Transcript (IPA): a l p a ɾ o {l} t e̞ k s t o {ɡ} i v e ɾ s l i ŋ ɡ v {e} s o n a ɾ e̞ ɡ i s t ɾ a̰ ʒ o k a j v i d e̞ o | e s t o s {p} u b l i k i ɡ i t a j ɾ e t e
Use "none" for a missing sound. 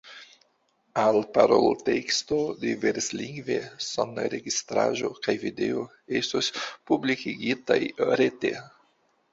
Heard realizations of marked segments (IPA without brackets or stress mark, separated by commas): l, d, e, p